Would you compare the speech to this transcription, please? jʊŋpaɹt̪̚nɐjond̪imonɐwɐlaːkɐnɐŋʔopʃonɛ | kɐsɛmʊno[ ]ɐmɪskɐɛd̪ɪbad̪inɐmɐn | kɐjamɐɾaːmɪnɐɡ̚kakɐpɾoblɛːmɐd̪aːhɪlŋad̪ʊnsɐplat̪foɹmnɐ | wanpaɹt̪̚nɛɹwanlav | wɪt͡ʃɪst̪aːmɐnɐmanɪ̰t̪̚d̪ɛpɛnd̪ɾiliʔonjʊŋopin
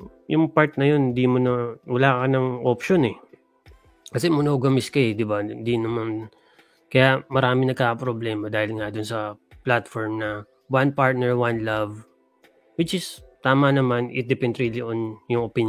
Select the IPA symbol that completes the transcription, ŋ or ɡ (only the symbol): ɡ